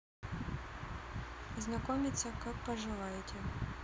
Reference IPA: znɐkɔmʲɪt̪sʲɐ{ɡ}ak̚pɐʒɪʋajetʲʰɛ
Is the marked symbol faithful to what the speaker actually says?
no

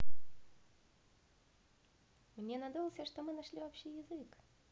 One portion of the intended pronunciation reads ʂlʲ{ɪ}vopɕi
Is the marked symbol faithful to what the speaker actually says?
no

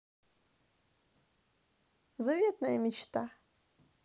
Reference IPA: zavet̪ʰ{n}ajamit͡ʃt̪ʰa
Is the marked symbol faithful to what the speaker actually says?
yes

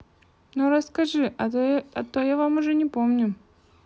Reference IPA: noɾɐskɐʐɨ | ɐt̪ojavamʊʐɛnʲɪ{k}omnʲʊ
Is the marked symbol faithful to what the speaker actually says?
no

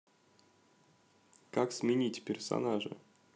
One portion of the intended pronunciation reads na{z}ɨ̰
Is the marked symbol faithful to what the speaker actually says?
no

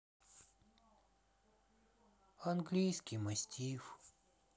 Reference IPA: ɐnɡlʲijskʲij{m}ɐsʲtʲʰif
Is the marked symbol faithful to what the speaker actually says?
yes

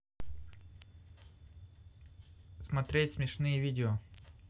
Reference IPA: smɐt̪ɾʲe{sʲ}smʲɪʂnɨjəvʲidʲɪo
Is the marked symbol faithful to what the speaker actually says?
no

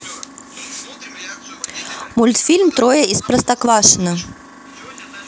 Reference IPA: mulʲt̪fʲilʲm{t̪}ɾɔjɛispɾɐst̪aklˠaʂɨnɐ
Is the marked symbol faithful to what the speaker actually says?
yes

